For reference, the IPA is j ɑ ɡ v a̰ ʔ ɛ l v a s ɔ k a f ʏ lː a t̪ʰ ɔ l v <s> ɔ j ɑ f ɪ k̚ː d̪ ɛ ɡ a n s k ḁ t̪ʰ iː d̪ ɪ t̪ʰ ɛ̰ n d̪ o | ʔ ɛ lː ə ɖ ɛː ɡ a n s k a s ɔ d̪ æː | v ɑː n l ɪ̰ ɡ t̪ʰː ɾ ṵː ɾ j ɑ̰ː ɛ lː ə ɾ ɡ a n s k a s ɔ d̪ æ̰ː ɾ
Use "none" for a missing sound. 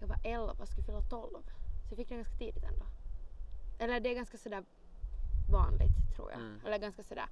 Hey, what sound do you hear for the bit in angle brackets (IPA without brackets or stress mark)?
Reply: s